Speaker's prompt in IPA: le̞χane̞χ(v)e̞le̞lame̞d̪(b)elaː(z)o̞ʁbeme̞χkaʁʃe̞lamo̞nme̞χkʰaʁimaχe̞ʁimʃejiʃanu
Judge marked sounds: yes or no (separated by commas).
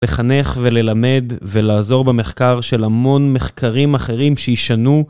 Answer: yes, no, yes